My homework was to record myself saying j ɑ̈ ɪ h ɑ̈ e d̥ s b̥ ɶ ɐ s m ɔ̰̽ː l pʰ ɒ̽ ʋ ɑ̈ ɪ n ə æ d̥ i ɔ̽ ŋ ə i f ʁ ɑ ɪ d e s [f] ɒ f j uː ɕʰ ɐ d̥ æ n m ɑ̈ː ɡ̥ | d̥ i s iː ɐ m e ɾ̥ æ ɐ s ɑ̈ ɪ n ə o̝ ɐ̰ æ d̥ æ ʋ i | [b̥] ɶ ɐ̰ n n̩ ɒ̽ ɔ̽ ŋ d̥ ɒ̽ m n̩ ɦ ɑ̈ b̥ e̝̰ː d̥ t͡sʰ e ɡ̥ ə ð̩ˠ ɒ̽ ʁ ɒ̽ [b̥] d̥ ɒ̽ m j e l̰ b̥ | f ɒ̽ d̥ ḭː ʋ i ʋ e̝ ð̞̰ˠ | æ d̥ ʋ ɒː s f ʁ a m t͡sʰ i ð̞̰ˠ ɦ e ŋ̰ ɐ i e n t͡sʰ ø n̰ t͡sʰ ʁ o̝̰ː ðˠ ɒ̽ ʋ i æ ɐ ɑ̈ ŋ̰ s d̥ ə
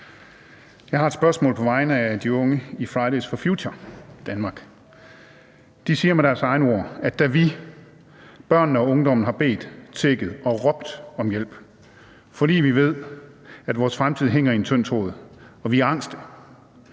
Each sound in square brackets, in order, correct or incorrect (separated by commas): correct, correct, correct